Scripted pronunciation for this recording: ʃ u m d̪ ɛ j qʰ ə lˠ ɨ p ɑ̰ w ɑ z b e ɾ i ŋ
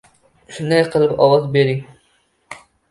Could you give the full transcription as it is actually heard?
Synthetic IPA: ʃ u n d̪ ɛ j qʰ ə lˠ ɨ p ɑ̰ w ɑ z b e ɾ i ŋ